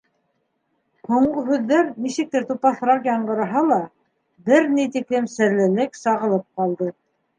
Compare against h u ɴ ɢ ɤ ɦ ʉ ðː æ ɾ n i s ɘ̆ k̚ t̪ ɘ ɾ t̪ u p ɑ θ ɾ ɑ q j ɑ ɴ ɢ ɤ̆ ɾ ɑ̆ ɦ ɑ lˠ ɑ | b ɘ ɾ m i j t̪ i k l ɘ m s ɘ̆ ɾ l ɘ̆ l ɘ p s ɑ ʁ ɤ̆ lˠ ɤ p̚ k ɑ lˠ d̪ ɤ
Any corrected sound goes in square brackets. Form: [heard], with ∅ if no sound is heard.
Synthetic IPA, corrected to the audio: h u ɴ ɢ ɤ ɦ ʉ ðː æ ɾ n i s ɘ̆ k̚ t̪ ɘ ɾ t̪ u p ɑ θ ɾ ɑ q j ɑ ɴ ɢ ɤ̆ ɾ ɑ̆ ɦ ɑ lˠ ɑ | b ɘ ɾ [n] i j t̪ i k l ɘ m s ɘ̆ ɾ l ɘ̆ l ɘ [k] s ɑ ʁ ɤ̆ lˠ ɤ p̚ [q] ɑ lˠ d̪ ɤ